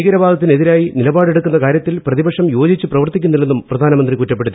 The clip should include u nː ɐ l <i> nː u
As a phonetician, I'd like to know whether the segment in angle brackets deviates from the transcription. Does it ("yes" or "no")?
yes